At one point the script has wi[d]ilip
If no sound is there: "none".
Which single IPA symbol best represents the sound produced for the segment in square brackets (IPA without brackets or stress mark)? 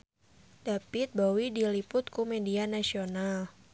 d